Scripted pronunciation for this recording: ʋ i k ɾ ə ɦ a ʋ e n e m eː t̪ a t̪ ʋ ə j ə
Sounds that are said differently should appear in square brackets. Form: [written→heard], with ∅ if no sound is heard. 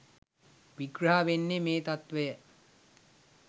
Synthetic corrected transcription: ʋ i [k→ɡ] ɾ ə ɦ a ʋ e [n→nː] e m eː t̪ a t̪ ʋ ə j ə